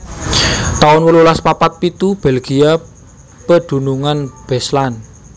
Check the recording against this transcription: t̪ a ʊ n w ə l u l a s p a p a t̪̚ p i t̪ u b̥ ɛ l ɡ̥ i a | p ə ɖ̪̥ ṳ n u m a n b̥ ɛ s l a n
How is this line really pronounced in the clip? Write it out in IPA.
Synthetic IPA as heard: t̪ a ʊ n w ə l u l a s p a p a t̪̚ p i t̪ u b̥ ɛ l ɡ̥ i a | p ə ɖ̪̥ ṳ n u ŋ a n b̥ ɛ s l a n